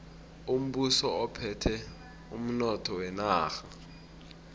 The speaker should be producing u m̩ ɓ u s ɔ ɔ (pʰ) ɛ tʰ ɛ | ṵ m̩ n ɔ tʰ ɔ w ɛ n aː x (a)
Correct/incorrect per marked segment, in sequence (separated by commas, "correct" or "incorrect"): correct, correct